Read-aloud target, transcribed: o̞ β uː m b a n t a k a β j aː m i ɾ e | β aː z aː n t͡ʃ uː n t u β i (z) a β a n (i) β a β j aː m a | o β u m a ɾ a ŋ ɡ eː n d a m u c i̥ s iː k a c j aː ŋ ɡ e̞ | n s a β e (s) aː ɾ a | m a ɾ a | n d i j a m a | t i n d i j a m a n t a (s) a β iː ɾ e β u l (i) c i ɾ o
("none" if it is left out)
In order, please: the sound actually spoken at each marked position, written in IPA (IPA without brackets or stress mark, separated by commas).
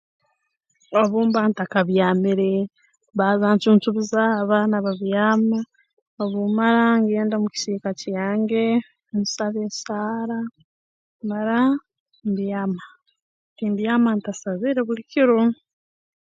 z, a, s, s, i